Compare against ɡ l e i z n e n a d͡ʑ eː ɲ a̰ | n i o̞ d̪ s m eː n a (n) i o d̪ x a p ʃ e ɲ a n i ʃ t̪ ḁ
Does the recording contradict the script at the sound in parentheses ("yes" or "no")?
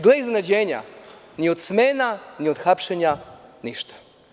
no